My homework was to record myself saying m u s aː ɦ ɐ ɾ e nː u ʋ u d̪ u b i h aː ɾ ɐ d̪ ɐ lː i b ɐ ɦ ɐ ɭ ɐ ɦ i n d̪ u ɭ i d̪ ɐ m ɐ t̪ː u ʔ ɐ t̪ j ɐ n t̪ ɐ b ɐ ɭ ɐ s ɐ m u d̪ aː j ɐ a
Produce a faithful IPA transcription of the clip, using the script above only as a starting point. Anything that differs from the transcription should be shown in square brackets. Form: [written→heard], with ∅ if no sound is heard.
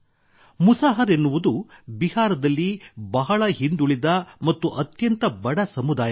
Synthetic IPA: m u s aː ɦ ɐ ɾ e nː u ʋ u d̪ u b i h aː ɾ ɐ d̪ ɐ lː i b ɐ ɦ ɐ ɭ ɐ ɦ i n d̪ u ɭ i d̪ ɐ m ɐ t̪ː u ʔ ɐ t̪ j ɐ n t̪ ɐ b ɐ [ɭ→ɽ] ɐ s ɐ m u d̪ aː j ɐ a